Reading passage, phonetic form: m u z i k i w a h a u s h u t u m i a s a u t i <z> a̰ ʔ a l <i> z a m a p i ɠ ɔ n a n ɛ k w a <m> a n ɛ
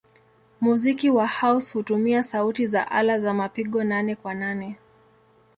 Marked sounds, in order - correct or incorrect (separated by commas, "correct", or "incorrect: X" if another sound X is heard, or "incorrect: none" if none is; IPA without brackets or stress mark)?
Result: correct, incorrect: a, incorrect: n